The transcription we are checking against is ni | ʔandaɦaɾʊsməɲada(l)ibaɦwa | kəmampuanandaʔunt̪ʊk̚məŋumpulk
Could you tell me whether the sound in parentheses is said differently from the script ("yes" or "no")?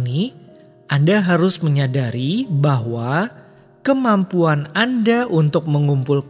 yes